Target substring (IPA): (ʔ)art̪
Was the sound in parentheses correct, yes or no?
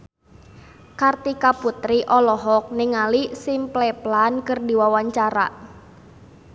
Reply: no